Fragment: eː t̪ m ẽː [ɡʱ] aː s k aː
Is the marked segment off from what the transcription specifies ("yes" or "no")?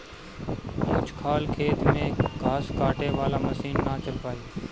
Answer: no